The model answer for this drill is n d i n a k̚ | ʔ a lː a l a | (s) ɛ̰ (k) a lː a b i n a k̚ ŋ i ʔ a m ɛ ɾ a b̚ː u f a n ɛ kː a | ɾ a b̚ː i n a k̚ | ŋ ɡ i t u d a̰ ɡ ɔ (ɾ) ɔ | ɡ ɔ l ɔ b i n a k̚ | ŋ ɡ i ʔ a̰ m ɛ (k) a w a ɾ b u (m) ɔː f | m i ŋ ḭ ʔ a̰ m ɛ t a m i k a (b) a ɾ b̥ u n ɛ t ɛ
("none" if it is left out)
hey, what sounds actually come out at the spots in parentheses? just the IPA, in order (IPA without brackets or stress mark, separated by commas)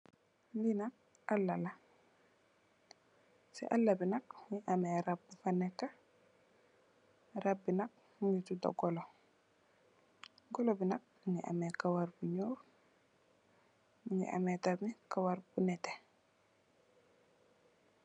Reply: s, ʔ, l, k, ɲ, w